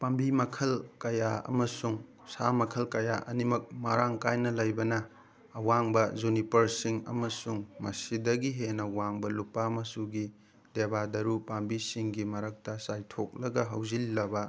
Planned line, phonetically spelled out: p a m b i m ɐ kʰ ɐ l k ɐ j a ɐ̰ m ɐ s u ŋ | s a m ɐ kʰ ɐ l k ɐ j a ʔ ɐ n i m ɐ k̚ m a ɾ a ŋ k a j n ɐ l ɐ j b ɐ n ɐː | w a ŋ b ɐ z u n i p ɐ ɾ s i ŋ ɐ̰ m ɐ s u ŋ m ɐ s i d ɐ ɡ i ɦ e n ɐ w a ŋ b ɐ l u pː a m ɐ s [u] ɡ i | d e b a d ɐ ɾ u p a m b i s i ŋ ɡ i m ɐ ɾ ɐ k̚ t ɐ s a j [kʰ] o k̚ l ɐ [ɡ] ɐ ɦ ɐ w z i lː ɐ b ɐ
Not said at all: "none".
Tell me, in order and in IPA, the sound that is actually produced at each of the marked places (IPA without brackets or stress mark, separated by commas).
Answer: u, tʰ, ɡ